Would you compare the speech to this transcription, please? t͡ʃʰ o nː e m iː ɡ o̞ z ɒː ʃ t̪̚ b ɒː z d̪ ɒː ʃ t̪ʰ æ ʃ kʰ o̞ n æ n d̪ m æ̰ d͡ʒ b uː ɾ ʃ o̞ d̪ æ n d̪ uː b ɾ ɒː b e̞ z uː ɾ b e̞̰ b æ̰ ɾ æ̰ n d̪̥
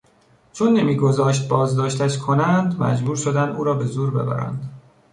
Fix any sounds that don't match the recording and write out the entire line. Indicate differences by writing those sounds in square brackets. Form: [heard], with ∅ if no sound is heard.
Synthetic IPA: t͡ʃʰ o nː e m iː ɡ o̞ z ɒː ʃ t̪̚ b ɒː z d̪ ɒː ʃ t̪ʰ æ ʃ kʰ o̞ n æ n d̪ m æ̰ d͡ʒ b uː ɾ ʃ o̞ d̪ æ n d̪ uː [∅] ɾ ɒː b e̞ z uː ɾ b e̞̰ b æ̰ ɾ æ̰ n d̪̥